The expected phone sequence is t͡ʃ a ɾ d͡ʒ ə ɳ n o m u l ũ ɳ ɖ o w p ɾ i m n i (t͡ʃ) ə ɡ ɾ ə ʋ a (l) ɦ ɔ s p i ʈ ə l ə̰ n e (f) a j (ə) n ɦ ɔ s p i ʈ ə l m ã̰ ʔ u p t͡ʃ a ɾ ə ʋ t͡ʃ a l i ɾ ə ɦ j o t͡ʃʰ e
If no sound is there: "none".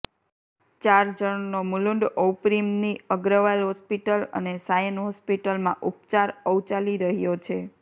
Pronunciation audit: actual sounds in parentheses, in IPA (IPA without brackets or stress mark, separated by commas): none, l, s, ə